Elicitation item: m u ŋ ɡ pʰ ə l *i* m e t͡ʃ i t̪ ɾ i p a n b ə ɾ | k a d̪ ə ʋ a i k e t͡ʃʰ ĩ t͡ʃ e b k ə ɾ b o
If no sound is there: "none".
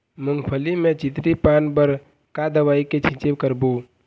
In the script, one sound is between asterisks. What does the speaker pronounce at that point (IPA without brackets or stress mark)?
i